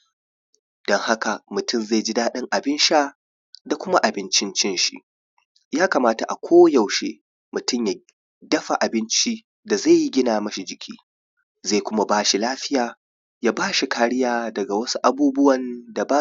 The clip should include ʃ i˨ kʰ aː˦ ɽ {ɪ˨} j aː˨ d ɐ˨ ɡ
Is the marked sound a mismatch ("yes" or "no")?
yes